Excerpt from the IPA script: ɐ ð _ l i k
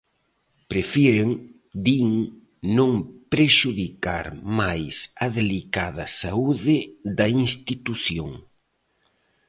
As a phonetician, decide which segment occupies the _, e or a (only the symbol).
e